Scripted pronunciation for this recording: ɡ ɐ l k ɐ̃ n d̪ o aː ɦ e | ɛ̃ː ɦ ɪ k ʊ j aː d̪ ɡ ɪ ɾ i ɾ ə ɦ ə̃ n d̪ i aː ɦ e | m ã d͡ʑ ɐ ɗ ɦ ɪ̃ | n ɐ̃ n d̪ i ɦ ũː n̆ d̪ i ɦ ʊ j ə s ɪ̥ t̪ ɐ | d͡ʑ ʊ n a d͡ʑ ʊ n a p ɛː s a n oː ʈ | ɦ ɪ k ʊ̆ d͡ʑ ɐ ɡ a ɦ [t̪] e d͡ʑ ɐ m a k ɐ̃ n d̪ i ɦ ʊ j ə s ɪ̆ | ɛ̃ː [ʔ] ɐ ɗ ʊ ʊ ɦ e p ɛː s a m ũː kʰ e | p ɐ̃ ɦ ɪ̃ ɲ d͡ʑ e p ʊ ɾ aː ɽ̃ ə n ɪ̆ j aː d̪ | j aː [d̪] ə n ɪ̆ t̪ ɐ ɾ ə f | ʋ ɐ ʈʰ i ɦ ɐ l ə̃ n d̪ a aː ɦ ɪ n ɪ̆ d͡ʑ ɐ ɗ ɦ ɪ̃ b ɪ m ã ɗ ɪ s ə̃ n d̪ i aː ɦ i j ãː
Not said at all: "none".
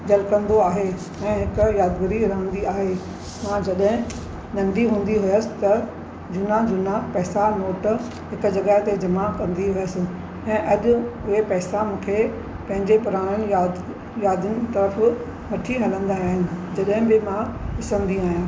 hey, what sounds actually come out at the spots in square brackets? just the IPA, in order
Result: t̪, ʔ, d̪

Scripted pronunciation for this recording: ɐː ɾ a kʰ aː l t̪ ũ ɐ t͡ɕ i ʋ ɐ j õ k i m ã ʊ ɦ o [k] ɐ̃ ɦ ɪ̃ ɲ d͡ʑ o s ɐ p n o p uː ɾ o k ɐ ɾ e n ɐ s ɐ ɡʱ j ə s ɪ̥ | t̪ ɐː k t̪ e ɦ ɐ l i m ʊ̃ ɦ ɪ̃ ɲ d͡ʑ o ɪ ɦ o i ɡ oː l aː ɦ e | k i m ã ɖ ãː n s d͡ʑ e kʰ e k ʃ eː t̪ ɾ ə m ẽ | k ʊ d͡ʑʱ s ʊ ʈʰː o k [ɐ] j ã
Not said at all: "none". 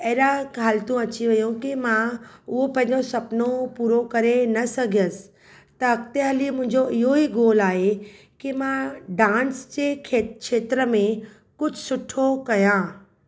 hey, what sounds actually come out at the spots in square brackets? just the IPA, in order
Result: p, ɐ

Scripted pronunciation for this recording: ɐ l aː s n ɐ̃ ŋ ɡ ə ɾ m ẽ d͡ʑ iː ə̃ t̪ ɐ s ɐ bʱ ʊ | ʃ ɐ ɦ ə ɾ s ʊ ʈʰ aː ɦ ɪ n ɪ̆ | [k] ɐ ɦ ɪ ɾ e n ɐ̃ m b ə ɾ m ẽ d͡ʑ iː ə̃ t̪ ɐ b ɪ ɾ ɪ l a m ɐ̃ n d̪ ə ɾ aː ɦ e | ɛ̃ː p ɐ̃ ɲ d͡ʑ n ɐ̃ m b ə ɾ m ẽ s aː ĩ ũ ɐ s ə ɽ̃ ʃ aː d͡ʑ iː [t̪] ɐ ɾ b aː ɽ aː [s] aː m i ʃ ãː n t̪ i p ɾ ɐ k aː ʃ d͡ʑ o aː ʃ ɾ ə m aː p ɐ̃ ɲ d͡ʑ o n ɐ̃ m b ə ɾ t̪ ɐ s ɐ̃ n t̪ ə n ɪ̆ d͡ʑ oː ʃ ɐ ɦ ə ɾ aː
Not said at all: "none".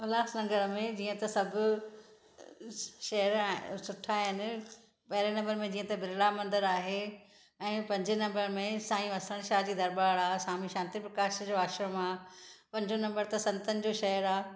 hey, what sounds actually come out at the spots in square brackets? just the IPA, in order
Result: p, d̪, s

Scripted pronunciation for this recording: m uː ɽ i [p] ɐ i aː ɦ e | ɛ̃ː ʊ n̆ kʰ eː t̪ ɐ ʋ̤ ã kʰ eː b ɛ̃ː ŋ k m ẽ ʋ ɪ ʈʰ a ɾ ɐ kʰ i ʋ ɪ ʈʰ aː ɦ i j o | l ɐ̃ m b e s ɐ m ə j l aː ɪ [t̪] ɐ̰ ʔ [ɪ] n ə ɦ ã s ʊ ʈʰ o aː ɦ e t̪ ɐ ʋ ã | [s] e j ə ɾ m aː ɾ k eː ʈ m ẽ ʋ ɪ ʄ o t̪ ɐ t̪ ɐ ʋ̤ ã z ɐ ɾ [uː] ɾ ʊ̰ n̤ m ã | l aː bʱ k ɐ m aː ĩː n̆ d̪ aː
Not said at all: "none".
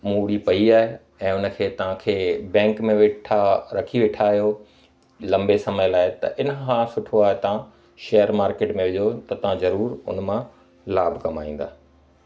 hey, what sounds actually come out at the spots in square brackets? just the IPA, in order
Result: p, t̪, ɪ, ʃ, uː

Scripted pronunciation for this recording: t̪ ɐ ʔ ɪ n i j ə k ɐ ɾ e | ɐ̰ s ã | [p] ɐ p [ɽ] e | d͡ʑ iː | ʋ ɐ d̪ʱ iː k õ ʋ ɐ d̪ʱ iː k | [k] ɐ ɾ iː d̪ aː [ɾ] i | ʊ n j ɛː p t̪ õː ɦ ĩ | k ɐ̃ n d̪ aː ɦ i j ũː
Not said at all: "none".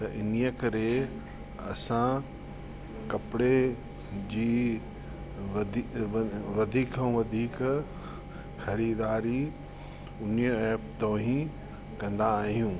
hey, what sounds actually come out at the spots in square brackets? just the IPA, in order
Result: k, ɽ, x, ɾ

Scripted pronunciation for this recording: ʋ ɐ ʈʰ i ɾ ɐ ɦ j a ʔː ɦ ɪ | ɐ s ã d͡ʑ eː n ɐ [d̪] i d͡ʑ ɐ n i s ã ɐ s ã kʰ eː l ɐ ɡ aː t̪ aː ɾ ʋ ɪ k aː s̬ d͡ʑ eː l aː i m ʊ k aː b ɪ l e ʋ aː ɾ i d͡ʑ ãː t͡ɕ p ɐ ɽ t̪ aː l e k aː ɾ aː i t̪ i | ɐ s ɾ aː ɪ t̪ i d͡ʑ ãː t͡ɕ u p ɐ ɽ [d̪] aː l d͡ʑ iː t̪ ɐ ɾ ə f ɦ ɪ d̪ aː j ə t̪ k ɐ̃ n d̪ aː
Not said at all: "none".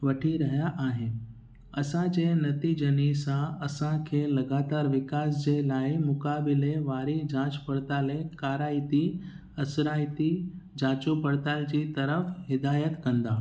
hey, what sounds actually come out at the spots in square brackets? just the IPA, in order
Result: t̪, t̪

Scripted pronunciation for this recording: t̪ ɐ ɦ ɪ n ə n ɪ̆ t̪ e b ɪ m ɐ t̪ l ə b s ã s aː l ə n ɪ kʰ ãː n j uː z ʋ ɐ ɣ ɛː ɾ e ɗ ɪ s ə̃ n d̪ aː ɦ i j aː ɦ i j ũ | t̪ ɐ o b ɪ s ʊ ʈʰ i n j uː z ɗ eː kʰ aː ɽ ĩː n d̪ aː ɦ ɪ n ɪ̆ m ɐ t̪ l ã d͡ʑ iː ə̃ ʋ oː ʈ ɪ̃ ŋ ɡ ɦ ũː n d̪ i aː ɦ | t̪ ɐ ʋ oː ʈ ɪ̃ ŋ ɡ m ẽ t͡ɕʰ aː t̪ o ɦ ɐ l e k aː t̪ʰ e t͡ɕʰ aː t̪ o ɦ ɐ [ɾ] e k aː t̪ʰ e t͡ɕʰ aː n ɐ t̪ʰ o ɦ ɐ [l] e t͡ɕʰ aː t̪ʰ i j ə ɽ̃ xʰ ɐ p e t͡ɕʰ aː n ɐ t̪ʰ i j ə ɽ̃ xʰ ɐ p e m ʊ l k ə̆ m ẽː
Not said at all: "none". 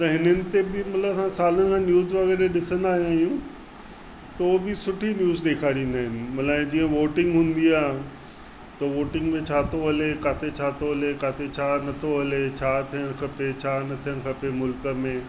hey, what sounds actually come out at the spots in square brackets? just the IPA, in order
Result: l, l

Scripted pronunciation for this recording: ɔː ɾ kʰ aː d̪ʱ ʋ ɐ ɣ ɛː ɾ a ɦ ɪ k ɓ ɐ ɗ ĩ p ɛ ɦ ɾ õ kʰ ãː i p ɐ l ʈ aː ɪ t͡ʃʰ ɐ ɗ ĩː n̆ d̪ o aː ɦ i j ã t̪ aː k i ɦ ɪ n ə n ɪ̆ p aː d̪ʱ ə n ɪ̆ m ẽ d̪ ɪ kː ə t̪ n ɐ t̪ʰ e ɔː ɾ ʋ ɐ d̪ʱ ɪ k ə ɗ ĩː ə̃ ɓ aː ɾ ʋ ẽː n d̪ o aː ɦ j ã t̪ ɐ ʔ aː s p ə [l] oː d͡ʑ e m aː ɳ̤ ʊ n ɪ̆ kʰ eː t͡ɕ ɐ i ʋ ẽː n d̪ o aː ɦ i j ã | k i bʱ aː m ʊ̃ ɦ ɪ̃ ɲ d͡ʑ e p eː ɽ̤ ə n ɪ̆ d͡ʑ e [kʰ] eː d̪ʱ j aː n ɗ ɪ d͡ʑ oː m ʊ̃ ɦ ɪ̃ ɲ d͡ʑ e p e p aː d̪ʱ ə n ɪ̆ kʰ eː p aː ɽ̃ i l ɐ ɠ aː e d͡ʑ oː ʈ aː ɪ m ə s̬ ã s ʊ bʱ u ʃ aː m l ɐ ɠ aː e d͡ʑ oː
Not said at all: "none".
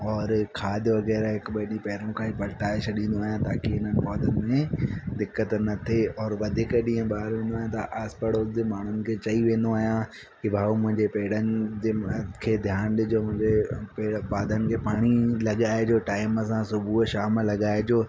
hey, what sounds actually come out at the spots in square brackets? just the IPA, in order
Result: ɽ, kʰ

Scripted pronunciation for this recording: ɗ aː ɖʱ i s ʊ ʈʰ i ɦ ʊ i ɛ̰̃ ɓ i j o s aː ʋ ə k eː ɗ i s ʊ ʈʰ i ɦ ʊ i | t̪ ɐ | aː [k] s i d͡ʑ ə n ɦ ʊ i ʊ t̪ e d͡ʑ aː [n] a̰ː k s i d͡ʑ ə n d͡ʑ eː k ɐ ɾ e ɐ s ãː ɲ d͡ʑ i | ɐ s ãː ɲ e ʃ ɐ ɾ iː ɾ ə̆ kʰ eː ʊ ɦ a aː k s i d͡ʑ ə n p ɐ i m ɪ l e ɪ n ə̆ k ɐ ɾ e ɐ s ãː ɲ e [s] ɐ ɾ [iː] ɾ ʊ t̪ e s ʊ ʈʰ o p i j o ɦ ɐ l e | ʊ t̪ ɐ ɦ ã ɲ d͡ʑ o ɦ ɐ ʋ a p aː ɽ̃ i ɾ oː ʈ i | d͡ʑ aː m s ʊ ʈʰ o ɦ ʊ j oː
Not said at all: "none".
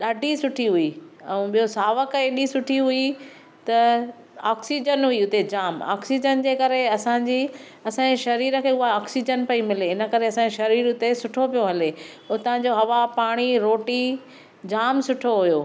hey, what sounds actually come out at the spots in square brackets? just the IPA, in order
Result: k, m, ʃ, iː

